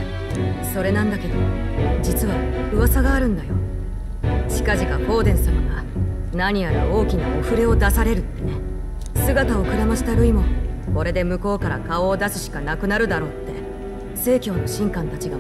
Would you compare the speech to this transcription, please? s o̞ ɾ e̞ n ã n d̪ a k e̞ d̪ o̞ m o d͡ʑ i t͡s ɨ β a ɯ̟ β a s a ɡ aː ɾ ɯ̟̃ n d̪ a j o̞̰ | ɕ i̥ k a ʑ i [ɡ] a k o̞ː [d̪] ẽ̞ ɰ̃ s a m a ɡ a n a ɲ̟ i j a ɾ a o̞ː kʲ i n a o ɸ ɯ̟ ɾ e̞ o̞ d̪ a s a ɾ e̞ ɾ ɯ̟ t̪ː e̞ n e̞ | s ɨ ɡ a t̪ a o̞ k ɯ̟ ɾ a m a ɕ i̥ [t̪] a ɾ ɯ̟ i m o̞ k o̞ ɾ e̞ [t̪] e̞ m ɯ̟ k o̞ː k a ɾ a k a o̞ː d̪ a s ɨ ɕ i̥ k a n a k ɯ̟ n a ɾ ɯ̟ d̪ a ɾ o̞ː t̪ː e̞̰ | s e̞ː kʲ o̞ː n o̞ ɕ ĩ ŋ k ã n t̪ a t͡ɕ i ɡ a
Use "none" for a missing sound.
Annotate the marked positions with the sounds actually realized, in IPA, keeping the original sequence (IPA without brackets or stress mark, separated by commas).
k, d̪, t̪, d̪